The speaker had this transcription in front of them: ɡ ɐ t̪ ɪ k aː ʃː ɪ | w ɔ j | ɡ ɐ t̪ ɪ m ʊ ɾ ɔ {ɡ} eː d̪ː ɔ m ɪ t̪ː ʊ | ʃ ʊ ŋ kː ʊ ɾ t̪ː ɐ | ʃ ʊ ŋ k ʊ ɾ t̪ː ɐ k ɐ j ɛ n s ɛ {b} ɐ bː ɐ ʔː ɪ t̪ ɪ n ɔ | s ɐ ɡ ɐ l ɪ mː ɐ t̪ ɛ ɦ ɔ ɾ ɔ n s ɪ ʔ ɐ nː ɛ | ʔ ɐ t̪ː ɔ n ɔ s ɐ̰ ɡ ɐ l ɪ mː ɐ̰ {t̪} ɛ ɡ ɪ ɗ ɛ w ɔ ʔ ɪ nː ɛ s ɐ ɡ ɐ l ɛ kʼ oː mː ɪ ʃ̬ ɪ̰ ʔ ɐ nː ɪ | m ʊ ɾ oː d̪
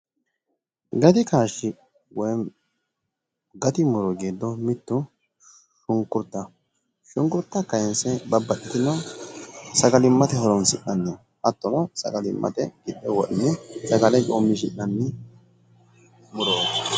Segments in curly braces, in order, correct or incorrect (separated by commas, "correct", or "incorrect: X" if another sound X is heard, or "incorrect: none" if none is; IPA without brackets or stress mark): correct, correct, correct